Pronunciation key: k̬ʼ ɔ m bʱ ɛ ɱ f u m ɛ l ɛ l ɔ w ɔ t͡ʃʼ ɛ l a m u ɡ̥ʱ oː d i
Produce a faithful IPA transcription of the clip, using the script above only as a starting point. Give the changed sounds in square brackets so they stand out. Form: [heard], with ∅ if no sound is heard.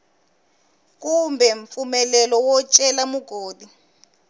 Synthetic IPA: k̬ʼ [u] m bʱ ɛ ɱ f u m ɛ l ɛ l ɔ w ɔ t͡ʃʼ ɛ l a m u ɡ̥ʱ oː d i